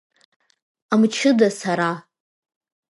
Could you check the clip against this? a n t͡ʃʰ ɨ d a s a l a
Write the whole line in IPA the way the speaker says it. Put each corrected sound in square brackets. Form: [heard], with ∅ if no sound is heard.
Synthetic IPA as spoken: a [m] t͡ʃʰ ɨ d a s a [ɾ] a